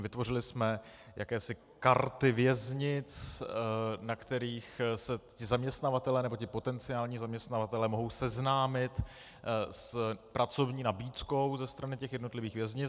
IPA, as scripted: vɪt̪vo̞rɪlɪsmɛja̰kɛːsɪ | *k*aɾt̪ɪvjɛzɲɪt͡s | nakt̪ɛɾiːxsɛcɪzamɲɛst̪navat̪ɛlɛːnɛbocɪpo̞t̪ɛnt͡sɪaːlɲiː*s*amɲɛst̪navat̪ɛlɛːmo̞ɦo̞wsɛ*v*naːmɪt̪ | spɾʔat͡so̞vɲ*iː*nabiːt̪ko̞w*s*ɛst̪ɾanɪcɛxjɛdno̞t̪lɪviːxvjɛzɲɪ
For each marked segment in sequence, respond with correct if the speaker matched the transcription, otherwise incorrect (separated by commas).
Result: correct, incorrect, incorrect, correct, incorrect